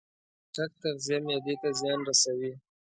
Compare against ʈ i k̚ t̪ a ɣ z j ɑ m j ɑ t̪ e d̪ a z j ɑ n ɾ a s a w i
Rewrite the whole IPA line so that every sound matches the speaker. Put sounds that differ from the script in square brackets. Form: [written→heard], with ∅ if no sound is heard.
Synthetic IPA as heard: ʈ [i→a] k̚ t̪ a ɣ z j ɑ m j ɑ [t̪→d̪] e [d̪→t̪] a z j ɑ n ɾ a s a w i